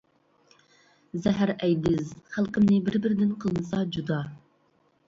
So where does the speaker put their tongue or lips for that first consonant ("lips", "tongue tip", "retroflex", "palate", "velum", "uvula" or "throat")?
tongue tip